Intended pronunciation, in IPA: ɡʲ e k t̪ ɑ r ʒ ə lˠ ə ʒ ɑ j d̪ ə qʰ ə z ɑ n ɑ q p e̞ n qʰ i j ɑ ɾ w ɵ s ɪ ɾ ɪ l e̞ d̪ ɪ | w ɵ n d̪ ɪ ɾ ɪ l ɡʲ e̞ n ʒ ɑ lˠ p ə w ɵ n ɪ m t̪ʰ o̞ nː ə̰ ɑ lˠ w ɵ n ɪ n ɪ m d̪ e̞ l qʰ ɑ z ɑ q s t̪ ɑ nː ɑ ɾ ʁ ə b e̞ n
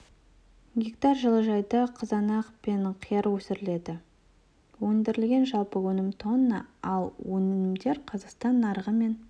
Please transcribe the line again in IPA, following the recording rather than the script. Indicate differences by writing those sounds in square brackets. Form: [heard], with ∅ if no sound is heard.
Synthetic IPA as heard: ɡʲ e k t̪ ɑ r ʒ ə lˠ ə ʒ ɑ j d̪ [ɑ] qʰ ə z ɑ n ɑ q p e̞ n qʰ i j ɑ ɾ w ɵ s ɪ ɾ ɪ l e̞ d̪ ɪ | w ɵ n d̪ ɪ ɾ ɪ l ɡʲ e̞ n ʒ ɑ lˠ p ə w ɵ n ɪ m t̪ʰ o̞ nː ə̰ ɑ lˠ w ɵ n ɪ n ɪ m d̪ e̞ [ɾ] qʰ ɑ z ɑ q s t̪ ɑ nː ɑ ɾ ʁ ə [m] e̞ n